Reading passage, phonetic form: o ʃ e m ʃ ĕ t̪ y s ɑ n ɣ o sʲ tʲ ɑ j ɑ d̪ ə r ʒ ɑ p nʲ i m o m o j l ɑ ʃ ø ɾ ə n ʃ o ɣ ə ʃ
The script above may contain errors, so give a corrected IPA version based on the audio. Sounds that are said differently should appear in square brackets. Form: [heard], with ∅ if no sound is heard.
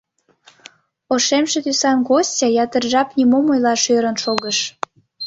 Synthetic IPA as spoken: o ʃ e m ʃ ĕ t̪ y s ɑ n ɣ o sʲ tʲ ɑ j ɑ [t̪] ə r ʒ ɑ p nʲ i m o m o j l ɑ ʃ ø ɾ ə n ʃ o ɣ ə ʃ